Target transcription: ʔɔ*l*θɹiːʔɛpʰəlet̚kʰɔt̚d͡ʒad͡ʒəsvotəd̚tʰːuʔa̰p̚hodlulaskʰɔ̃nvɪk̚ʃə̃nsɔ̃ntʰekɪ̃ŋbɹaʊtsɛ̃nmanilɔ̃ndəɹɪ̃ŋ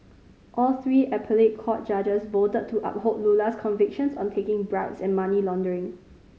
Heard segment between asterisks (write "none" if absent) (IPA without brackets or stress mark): l